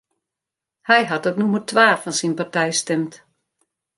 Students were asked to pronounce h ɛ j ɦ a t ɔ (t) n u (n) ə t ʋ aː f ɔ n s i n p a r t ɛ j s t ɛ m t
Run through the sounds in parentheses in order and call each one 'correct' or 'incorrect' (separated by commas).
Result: correct, incorrect